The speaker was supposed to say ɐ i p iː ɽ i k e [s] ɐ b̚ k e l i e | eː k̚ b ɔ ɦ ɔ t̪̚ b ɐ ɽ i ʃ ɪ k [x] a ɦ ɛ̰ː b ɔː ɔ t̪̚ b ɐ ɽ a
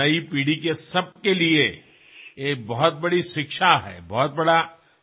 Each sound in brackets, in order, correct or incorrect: correct, incorrect: ʃ

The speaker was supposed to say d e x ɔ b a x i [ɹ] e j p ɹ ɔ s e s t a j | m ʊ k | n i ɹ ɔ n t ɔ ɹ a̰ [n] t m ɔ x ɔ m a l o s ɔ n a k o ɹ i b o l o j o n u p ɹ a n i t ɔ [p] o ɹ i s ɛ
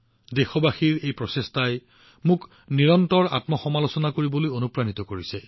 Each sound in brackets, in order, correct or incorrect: correct, incorrect: none, incorrect: k

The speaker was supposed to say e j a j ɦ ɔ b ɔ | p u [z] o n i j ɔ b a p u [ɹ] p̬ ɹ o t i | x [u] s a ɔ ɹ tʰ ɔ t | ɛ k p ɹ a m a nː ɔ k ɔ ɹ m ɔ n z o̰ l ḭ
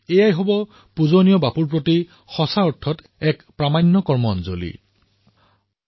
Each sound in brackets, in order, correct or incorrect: correct, correct, incorrect: ɔ

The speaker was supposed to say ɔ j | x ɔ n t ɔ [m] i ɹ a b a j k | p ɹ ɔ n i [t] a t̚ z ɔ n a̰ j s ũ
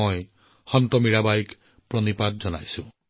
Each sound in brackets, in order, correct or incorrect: correct, incorrect: p

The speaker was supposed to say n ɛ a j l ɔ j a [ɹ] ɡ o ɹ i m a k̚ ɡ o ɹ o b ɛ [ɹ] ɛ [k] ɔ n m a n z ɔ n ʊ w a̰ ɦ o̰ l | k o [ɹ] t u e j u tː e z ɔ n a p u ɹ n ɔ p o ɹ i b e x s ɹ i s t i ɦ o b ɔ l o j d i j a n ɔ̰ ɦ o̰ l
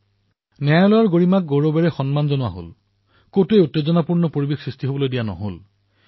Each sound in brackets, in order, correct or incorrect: correct, correct, incorrect: x, incorrect: none

